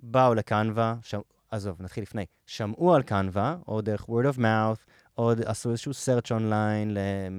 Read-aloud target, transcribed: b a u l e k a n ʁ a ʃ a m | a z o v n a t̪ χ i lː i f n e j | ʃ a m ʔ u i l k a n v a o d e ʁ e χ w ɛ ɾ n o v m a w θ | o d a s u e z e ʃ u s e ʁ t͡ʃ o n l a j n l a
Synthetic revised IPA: b a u l e k a n v a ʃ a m | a z o v n a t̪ χ i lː i f n e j | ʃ a m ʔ u a l k a n v a o d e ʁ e χ w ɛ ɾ d o v m a w θ | o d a s u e z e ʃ u s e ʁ t͡ʃ o n l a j n l e